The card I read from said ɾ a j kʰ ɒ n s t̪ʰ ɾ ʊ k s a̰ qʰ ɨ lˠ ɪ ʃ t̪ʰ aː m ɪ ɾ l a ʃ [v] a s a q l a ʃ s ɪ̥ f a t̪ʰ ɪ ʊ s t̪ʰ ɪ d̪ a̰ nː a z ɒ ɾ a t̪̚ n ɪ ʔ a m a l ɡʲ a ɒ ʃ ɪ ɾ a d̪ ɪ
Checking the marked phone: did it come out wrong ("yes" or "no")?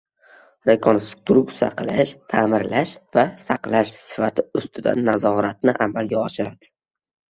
no